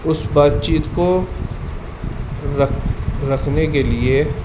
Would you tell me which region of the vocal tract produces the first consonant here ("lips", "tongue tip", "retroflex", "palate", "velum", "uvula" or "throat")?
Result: tongue tip